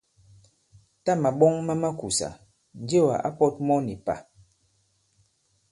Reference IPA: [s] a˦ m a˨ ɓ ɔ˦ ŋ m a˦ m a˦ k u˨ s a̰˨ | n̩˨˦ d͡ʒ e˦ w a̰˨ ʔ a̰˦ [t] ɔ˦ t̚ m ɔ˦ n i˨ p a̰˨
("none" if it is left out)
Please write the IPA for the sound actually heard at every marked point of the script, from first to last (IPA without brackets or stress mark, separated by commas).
t, p